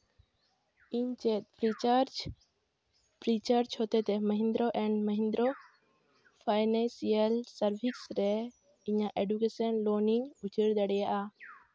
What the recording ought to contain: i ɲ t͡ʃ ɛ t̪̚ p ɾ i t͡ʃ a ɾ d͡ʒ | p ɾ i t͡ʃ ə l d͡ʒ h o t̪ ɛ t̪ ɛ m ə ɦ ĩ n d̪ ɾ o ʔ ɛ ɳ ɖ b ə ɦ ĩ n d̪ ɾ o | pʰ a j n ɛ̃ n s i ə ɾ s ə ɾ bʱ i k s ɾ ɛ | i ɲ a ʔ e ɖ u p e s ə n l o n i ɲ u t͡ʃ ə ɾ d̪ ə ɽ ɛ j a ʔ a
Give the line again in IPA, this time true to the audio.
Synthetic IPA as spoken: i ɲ t͡ʃ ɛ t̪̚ p ɾ i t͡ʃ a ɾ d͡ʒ | p ɾ i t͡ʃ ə ɾ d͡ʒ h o t̪ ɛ t̪ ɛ m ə ɦ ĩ n d̪ ɾ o ʔ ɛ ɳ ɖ m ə ɦ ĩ n d̪ ɾ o | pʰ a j n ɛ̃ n s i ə l s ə ɾ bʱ i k s ɾ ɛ | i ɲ a ʔ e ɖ u k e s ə n l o n i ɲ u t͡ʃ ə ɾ d̪ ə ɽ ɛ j a ʔ a